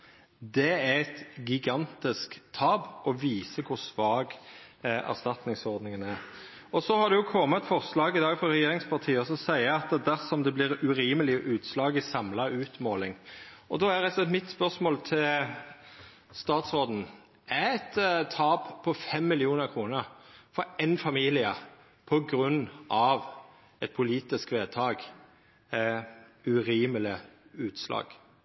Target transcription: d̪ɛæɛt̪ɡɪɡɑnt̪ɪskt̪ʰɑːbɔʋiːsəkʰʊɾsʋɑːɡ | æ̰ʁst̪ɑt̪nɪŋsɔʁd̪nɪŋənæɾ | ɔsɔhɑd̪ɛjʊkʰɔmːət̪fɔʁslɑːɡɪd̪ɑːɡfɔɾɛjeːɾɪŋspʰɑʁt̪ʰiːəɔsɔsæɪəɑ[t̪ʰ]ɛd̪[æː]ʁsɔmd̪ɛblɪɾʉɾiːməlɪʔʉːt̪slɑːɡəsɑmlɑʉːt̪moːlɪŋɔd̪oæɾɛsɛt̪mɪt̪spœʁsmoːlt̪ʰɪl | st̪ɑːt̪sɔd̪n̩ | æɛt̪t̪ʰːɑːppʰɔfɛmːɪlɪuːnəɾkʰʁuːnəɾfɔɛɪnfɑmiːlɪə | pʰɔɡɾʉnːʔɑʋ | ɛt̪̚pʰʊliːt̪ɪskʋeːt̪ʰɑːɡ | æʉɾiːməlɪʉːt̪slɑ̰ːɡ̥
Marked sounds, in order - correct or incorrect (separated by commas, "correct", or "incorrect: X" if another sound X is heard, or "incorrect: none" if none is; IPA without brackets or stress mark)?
incorrect: t̪, incorrect: æ